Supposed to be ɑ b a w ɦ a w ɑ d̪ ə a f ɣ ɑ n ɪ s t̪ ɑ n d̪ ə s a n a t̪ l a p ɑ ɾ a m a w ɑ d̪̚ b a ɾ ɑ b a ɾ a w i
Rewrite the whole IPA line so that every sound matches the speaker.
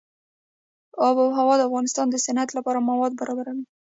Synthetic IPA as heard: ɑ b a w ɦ a w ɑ d̪ ə a f ɣ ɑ n ɪ s t̪ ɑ n d̪ ə s a n a t̪ l a p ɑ ɾ a m a w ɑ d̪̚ b a ɾ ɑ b a ɾ a w i